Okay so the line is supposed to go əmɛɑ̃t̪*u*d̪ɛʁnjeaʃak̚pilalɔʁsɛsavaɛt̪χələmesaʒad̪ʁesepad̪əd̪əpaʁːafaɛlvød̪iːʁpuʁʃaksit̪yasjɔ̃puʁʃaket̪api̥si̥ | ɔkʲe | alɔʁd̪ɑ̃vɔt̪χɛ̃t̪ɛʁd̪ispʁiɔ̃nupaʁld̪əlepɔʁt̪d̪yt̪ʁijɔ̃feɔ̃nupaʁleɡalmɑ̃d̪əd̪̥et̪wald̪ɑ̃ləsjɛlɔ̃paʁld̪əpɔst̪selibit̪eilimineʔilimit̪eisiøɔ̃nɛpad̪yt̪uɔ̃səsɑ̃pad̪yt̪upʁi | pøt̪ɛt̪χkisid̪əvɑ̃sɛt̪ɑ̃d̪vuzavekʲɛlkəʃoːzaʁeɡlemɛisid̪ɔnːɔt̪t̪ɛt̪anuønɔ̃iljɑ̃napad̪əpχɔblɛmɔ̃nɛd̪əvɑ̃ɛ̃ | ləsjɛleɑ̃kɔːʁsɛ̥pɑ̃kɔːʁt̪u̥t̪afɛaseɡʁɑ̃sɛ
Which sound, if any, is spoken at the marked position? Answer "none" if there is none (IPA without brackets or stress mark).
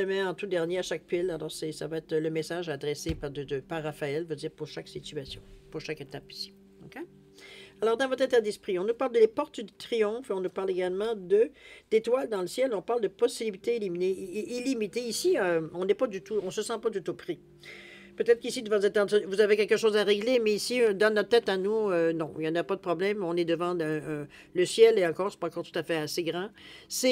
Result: u